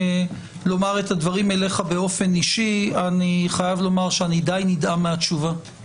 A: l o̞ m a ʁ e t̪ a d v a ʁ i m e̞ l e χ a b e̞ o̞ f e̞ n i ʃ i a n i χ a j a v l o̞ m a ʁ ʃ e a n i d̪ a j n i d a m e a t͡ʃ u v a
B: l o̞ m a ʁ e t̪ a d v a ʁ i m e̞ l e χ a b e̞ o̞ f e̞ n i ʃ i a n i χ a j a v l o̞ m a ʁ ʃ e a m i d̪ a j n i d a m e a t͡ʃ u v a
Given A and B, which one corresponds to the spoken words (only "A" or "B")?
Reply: A